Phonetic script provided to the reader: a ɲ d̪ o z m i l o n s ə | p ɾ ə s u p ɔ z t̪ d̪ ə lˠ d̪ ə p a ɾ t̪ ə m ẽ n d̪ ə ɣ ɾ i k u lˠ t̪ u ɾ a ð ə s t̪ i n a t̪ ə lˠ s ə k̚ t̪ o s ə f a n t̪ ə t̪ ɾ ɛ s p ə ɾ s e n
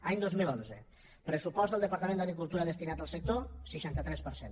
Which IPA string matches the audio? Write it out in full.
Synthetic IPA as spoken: a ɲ d̪ o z m i l o n z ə | p ɾ ə s u p ɔ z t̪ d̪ ə lˠ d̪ ə p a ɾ t̪ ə m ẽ n d̪ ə ɣ ɾ i k u lˠ t̪ u ɾ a ð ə s t̪ i n a t̪ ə lˠ s ə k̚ t̪ o s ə ʃ a n t̪ ə t̪ ɾ ɛ s p ə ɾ s e n